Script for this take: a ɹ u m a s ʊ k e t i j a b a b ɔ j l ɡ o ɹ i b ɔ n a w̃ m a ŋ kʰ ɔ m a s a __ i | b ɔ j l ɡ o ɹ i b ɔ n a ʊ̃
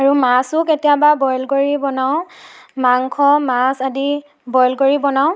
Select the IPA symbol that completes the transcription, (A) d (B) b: A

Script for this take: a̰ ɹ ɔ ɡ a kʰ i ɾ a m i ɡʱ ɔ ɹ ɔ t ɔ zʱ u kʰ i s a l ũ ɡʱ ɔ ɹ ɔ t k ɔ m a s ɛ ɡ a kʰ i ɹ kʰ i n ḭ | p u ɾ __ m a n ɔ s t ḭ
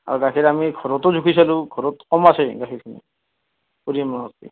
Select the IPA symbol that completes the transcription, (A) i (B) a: A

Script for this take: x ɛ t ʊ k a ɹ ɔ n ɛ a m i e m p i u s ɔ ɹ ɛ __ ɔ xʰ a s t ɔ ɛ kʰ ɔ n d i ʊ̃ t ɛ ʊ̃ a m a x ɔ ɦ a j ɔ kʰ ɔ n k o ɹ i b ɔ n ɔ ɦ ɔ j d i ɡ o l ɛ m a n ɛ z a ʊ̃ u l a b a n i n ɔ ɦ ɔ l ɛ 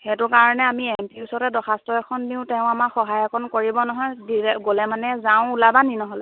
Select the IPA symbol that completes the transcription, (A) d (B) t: A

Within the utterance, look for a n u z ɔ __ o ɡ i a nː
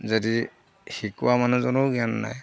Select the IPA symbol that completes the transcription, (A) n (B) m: A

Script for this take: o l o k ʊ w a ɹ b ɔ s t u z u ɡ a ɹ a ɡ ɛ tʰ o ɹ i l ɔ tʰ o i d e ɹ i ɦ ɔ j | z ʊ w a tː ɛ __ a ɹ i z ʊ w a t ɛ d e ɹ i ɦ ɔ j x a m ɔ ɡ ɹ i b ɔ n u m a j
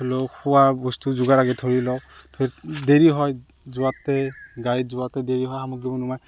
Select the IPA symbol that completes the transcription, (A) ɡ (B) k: A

